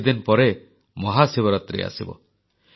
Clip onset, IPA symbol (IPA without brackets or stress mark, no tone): d̪